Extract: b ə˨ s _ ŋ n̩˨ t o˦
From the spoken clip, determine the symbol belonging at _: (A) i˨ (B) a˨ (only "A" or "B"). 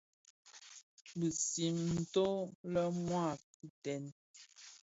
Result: A